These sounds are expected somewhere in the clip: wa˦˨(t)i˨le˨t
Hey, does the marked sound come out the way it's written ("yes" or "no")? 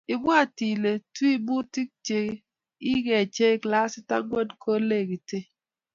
yes